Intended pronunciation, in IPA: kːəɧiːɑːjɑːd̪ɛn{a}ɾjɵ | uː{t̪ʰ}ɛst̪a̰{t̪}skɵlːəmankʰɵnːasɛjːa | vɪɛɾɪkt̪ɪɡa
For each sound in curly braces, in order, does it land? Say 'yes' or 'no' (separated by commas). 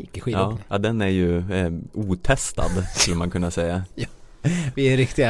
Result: no, yes, no